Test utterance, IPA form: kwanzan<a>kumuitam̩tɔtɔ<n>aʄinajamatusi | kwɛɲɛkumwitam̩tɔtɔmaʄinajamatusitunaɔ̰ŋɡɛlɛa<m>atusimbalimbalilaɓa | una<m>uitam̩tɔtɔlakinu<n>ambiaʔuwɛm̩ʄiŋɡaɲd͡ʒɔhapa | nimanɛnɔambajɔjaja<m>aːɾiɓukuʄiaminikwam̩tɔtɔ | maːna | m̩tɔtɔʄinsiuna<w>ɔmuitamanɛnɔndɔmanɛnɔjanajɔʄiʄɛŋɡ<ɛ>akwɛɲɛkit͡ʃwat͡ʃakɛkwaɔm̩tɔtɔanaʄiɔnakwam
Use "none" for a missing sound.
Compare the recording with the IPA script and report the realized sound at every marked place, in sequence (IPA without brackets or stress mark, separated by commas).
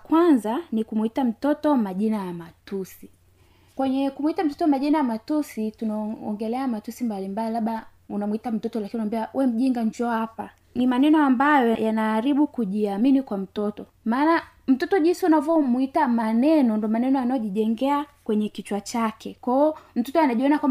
i, m, m, m, n, n, v, ɛ